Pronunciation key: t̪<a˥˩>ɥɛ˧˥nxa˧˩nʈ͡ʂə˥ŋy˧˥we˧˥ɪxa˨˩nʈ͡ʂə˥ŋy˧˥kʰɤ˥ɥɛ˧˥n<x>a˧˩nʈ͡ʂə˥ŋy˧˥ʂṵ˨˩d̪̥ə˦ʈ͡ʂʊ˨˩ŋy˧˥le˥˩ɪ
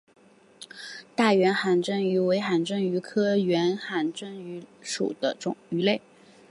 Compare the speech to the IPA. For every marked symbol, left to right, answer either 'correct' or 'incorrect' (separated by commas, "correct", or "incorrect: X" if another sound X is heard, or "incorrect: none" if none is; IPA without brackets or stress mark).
correct, correct